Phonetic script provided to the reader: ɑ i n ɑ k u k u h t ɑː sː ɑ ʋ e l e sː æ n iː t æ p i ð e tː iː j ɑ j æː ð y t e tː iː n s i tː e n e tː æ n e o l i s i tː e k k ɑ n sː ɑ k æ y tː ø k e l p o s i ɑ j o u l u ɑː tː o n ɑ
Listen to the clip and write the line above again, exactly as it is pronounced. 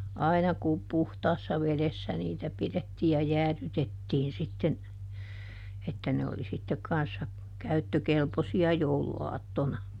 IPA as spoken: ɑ i n ɑ k u p u h t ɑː sː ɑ ʋ e l e sː æ n iː t æ p i ð e tː iː j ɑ j æː ð y t e tː iː n s i tː e n e tː æ n e o l i s i tː e k k ɑ n sː ɑ k æ y tː ø k e l p o s i ɑ j o u l u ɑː tː o n ɑ